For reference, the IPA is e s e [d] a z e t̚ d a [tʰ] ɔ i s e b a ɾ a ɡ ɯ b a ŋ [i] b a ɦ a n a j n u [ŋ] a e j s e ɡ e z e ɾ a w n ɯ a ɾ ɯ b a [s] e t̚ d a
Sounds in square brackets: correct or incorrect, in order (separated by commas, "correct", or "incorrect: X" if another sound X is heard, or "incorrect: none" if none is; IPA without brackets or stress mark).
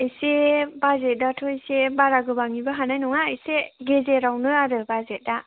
incorrect: b, correct, correct, correct, incorrect: z